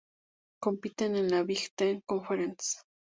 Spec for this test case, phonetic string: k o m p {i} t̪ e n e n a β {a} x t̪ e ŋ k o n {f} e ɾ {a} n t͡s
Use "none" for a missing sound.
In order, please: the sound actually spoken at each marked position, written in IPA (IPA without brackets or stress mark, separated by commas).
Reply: i, i, f, e